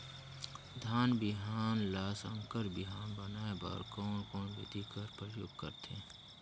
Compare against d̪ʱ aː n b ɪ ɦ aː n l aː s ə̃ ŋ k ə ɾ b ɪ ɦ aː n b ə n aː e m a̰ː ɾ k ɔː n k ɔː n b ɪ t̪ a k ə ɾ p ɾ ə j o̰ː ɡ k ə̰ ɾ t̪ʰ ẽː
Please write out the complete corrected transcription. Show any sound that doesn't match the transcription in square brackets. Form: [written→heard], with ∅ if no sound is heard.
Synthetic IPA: d̪ʱ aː n b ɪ ɦ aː n l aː s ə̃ ŋ k ə ɾ b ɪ ɦ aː n b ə n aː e [m→b] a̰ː ɾ k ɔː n k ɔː n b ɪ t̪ [a→i] k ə ɾ p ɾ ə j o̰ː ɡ k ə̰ ɾ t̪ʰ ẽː